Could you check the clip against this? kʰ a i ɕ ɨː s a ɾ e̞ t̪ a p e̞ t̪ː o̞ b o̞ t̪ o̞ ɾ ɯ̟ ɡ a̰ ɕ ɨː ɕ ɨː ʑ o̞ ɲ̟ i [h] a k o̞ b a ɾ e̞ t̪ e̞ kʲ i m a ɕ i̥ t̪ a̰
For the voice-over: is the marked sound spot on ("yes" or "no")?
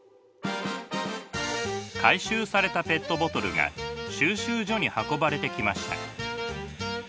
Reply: yes